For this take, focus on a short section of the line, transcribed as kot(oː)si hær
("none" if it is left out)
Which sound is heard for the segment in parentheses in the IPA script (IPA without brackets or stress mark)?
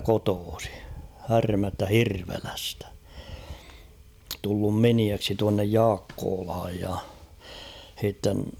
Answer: oː